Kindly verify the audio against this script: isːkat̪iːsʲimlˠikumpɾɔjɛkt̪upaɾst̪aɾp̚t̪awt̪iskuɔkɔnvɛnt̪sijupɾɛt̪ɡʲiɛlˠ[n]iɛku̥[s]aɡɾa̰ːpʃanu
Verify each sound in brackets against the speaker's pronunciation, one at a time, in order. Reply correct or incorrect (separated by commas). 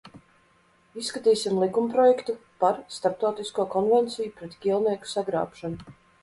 correct, correct